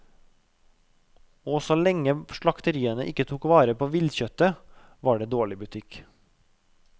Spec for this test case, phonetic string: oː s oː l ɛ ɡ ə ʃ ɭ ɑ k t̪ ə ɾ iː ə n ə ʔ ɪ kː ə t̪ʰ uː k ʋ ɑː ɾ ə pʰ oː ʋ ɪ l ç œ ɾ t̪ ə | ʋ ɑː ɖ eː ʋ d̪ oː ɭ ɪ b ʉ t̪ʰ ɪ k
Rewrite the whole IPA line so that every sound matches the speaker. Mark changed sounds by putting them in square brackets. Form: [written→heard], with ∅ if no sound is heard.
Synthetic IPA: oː s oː l ɛ [ɡ→ŋ] ə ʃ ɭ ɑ k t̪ ə ɾ iː ə n ə ʔ ɪ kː ə t̪ʰ uː k ʋ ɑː ɾ ə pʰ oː ʋ ɪ l ç œ [ɾ→∅] t̪ ə | ʋ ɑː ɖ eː [ʋ→∅] d̪ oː ɭ ɪ b ʉ t̪ʰ ɪ k